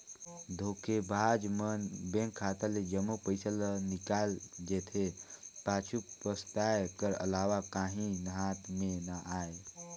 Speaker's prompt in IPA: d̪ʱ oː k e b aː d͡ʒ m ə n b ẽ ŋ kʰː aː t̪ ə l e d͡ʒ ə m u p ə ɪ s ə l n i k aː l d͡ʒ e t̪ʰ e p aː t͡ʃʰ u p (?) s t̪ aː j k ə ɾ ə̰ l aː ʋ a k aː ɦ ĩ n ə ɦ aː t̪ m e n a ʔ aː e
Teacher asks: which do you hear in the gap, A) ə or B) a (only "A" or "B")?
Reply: A